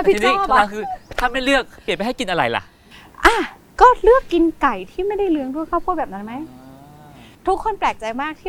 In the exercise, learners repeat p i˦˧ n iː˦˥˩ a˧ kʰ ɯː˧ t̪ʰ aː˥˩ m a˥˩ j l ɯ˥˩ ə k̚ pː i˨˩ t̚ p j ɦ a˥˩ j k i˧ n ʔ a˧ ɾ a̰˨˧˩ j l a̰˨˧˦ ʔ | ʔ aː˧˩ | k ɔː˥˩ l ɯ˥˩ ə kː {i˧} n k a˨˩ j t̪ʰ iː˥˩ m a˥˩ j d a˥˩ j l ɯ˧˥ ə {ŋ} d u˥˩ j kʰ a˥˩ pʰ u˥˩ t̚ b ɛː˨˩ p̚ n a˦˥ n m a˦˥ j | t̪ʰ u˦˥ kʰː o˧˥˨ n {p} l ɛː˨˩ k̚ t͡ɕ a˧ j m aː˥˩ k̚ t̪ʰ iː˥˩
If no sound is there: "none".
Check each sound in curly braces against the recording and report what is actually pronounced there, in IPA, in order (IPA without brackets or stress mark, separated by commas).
i˧, ŋ, p